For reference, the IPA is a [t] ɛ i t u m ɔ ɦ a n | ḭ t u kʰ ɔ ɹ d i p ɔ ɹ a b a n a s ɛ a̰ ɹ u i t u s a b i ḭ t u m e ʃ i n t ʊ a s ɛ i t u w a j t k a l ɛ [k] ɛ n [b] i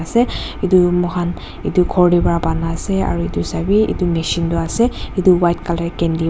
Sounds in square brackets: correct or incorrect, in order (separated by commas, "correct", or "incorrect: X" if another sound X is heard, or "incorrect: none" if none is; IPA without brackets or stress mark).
incorrect: s, correct, incorrect: d